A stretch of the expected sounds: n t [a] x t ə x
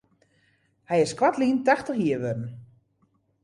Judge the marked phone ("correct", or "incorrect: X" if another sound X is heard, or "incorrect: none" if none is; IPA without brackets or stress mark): correct